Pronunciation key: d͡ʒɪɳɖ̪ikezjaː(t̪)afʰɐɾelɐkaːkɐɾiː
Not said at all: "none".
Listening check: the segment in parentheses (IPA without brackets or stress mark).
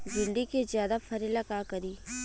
d̪